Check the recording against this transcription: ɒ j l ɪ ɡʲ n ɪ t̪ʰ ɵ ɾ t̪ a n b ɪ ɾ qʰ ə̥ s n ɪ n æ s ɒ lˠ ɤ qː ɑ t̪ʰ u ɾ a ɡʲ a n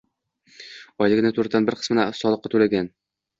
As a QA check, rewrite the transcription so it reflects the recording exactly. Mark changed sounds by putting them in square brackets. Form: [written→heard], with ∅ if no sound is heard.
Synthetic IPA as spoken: ɒ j l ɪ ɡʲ n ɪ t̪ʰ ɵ ɾ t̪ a n b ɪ ɾ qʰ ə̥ s [n→m] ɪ n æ s ɒ lˠ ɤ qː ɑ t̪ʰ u [ɾ→l] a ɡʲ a n

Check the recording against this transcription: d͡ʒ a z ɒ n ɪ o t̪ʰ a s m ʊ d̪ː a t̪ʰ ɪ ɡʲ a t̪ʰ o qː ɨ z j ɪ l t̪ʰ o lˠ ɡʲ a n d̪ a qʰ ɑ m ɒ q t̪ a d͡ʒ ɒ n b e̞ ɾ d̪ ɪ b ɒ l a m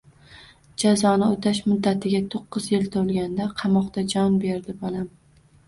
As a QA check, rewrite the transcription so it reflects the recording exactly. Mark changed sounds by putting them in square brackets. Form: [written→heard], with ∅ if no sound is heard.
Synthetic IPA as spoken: d͡ʒ a z ɒ n ɪ o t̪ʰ a [s→ʃ] m ʊ d̪ː a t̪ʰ ɪ ɡʲ a t̪ʰ o qː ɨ z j ɪ l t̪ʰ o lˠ ɡʲ a n d̪ a qʰ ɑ m ɒ q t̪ a d͡ʒ ɒ n b e̞ ɾ d̪ ɪ b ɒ l a m

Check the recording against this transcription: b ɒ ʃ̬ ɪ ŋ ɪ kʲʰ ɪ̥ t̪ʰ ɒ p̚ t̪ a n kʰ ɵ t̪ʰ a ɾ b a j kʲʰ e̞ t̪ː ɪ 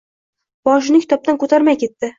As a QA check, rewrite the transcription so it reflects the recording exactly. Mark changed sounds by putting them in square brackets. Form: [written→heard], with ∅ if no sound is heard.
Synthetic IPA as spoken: b ɒ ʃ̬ ɪ [ŋ→n] ɪ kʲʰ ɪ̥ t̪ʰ ɒ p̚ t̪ a n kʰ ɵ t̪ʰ a ɾ [b→m] a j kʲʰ e̞ t̪ː ɪ

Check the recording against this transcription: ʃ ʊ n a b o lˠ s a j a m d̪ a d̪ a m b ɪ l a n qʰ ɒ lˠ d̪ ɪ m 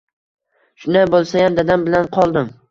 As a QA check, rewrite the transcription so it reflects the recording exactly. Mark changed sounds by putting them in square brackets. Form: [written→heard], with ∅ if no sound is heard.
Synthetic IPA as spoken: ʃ ʊ n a b o lˠ s a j a m d̪ a d̪ a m b ɪ l a n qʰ ɒ lˠ d̪ ɪ m

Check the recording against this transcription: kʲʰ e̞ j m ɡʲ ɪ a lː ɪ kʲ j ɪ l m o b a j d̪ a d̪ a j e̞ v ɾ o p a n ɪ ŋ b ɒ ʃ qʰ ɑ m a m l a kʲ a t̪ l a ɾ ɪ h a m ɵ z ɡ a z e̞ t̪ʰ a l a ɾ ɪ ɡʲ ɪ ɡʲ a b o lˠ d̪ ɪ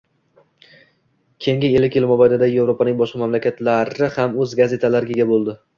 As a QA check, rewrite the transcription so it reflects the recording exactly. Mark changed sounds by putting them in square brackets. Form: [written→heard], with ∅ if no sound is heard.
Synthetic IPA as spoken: kʲʰ e̞ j [m→ŋ] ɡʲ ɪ [a→e] lː ɪ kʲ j ɪ l m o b a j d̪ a d̪ a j e̞ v ɾ o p a n ɪ ŋ b ɒ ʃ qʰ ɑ m a m l a kʲ a t̪ l a ɾ ɪ h a m ɵ z ɡ a z e̞ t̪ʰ a l a ɾ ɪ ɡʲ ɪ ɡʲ a b o lˠ d̪ ɪ

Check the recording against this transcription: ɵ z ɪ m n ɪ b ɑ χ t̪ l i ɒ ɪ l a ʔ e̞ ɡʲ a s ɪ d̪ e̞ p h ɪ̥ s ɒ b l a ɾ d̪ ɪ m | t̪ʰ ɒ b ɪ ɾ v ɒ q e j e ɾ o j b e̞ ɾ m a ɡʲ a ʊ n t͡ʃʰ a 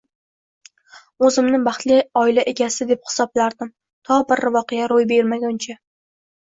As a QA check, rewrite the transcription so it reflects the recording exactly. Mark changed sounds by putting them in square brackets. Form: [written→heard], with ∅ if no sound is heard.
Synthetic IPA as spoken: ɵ z ɪ m n ɪ b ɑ χ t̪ l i ɒ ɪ l a ʔ e̞ ɡʲ a s ɪ d̪ e̞ p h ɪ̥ s ɒ b l a ɾ d̪ ɪ m | t̪ʰ ɒ b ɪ ɾ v ɒ q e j [e→a] ɾ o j b e̞ ɾ m a ɡʲ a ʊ n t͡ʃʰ a

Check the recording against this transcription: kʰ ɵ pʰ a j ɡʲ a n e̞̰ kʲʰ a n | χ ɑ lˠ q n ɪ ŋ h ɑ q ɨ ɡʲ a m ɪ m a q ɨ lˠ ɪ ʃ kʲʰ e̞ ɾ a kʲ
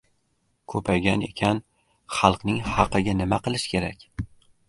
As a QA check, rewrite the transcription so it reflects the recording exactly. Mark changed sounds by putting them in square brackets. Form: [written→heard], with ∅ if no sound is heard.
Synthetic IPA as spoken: kʰ ɵ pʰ a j ɡʲ a n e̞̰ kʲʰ a n | χ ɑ lˠ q n ɪ ŋ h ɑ q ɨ ɡʲ a [m→n] ɪ m a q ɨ lˠ ɪ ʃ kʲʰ e̞ ɾ a kʲ

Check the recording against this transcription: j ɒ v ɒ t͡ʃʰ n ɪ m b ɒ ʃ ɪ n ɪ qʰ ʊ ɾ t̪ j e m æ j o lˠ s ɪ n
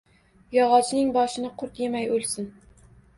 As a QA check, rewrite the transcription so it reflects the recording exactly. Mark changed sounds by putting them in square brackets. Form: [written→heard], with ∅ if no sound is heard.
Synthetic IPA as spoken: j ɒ [v→ʁ] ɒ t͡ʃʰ n ɪ [m→ŋ] b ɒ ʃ ɪ n ɪ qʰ ʊ ɾ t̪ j e m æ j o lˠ s ɪ n

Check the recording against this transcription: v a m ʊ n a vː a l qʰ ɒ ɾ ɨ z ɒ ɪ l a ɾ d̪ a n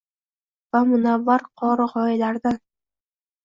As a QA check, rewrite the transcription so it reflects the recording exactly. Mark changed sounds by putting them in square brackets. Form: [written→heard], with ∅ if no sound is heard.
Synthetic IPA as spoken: v a m ʊ n a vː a [l→ɾ] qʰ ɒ ɾ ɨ [z→ʁ] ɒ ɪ l a ɾ d̪ a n

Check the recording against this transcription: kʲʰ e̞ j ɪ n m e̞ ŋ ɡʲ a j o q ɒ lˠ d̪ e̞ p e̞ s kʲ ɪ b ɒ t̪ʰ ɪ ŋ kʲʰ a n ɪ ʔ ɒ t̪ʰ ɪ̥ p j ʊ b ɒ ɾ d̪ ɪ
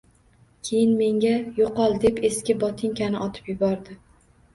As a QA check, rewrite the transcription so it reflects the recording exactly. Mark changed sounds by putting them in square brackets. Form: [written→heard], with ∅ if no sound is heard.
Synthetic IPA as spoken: kʲʰ e̞ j ɪ n m e̞ ŋ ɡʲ a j o q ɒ lˠ d̪ e̞ p e̞ s kʲ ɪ b ɒ t̪ʰ ɪ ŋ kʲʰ a n ɪ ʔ ɒ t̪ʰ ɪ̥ p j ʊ b ɒ ɾ d̪ ɪ

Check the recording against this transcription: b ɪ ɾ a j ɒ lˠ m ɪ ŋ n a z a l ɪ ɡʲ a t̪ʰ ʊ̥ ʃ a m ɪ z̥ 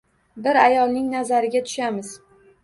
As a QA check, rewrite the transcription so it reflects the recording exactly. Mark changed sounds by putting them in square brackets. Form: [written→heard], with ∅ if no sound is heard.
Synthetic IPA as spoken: b ɪ ɾ a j ɒ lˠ [m→n] ɪ ŋ n a z a [l→ɾ] ɪ ɡʲ a t̪ʰ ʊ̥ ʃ a m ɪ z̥

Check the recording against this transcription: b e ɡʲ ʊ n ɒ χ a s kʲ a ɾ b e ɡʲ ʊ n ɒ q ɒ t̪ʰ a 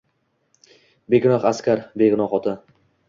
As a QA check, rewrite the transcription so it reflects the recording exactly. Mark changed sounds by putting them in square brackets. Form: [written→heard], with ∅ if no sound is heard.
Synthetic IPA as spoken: b e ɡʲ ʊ n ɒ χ a s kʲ a ɾ b e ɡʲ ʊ n ɒ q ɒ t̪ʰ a

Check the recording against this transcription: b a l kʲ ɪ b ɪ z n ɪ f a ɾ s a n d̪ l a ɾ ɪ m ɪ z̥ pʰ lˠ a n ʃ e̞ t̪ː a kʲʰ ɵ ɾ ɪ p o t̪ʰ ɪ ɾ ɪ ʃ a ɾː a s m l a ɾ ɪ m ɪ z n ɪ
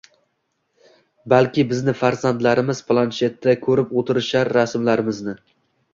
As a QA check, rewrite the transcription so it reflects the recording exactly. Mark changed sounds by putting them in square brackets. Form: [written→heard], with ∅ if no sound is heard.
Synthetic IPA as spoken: b a l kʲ ɪ b ɪ z n ɪ f a ɾ [s→z] a n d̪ l a ɾ ɪ m ɪ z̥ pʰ lˠ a n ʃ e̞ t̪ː a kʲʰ ɵ ɾ ɪ p o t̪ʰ ɪ ɾ ɪ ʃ a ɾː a s m l a ɾ ɪ m ɪ z n ɪ

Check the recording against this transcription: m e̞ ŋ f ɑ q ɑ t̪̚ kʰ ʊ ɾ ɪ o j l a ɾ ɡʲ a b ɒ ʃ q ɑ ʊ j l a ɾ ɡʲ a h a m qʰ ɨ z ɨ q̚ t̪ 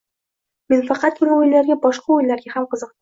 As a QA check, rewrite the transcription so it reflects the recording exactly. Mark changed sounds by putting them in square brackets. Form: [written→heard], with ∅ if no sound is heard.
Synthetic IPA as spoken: m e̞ [ŋ→n] f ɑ q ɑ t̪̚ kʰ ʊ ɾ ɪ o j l a ɾ ɡʲ a b ɒ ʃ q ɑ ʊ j l a ɾ ɡʲ a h a m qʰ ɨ z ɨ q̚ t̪

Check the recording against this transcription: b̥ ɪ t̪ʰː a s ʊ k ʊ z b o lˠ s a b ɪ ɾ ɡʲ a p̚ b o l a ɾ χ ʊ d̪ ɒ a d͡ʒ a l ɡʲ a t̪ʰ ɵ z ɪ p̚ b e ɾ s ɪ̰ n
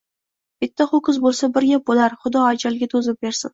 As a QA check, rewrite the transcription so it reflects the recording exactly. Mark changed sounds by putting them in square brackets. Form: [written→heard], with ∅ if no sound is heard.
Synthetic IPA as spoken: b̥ ɪ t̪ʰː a [s→χ] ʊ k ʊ z b o lˠ s a b ɪ ɾ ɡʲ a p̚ b o l a ɾ χ ʊ d̪ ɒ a d͡ʒ a l ɡʲ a t̪ʰ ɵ z ɪ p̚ b e ɾ s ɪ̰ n

